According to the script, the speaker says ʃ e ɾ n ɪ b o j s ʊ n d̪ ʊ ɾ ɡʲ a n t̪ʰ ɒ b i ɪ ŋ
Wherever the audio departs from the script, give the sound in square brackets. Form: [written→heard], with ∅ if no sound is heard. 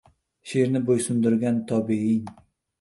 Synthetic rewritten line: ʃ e ɾ n ɪ b o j s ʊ n d̪ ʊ ɾ ɡʲ a n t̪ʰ ɒ b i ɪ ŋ